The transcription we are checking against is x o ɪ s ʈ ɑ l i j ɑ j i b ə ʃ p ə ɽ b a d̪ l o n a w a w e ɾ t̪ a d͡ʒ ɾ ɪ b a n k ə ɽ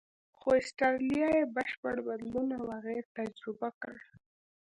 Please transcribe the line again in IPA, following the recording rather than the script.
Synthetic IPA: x o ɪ s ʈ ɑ l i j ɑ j e b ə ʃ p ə ɽ b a d̪ l u n a w a ɣ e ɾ t̪ a d͡ʒ ɾ ɪ b a k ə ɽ